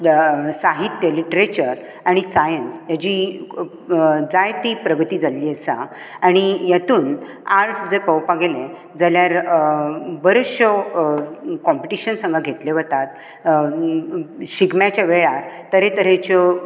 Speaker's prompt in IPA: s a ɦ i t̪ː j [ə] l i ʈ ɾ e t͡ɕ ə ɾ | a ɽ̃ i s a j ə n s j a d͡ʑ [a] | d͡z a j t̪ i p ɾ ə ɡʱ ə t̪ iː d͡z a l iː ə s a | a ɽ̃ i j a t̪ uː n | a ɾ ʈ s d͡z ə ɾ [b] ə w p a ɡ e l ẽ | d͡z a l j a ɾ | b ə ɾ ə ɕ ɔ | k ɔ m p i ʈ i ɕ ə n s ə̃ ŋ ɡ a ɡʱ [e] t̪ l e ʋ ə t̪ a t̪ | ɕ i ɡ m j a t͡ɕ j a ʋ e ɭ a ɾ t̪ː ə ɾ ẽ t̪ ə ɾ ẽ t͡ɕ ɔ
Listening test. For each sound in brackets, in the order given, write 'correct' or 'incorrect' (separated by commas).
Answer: correct, incorrect, incorrect, correct